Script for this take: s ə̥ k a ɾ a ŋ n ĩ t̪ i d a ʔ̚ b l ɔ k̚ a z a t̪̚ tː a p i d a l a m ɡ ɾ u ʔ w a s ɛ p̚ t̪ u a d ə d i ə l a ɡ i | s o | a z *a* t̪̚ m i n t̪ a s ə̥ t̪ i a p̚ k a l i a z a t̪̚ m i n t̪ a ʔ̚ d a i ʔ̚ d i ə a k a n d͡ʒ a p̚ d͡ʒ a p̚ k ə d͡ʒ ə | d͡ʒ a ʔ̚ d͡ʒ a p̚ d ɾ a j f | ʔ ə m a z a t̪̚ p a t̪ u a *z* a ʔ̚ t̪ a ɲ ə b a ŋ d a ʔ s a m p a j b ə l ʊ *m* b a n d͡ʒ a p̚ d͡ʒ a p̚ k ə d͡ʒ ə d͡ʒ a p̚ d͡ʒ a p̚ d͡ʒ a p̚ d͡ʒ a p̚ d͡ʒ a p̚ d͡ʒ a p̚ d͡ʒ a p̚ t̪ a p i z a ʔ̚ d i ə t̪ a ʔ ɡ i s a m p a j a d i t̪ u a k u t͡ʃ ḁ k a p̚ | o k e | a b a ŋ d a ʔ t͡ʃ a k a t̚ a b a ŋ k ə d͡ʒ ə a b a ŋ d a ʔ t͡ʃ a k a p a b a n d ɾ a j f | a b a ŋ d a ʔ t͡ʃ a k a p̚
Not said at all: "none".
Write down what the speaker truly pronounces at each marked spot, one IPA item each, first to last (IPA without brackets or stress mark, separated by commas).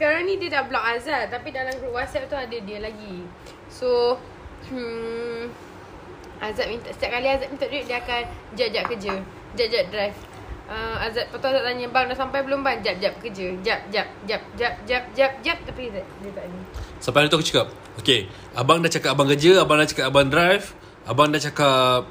a, z, m